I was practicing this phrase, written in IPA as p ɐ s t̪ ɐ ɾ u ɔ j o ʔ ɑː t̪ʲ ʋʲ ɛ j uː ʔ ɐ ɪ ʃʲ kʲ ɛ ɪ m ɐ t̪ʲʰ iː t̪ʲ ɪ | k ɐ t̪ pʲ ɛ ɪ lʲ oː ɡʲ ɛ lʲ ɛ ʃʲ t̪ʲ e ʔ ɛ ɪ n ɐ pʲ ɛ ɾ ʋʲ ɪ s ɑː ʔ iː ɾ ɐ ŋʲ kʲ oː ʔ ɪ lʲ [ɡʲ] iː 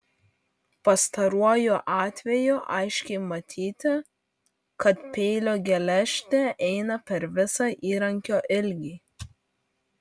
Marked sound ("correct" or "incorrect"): correct